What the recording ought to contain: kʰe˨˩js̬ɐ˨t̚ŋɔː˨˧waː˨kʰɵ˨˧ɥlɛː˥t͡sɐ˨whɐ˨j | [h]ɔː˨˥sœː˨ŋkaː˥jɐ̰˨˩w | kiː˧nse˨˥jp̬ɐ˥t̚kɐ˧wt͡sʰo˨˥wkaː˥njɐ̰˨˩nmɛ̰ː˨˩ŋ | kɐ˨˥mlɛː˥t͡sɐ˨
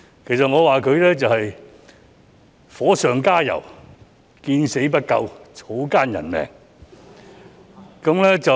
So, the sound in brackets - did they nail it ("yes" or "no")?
no